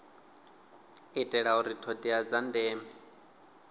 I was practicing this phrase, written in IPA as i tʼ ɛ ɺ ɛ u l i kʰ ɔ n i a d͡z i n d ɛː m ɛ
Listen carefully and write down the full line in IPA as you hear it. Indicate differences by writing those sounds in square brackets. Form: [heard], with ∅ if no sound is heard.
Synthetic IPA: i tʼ ɛ ɺ [a] u [ɾ] i [tʰ] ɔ [d] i a d͡z [a] n d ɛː m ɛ